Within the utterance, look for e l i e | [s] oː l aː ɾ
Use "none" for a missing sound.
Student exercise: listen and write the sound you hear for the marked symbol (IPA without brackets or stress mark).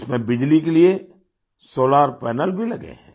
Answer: s